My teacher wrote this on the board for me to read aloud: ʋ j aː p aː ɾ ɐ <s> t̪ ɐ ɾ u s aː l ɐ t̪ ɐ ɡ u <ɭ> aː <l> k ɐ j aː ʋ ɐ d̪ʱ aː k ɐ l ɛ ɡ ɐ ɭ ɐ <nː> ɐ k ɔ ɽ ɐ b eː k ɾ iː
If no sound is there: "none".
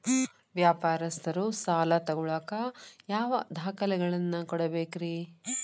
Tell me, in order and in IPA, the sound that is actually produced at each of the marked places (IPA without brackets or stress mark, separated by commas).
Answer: s, ɭ, none, nː